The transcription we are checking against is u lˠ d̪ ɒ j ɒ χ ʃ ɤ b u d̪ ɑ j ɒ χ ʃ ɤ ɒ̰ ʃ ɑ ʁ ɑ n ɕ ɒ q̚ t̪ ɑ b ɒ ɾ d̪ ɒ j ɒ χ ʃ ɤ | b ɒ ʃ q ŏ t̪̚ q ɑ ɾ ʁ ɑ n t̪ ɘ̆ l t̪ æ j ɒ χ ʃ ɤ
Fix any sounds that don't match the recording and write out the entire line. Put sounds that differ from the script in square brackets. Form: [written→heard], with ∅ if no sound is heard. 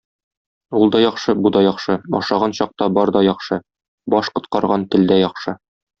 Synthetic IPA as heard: u lˠ d̪ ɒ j ɒ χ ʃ ɤ b u d̪ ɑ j ɒ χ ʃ ɤ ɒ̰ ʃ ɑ ʁ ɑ n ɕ ɒ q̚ t̪ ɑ b ɒ ɾ d̪ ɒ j ɒ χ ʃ ɤ | b ɒ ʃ q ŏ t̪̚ q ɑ ɾ ʁ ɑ n t̪ ɘ̆ l [t̪→d̪] æ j ɒ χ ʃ ɤ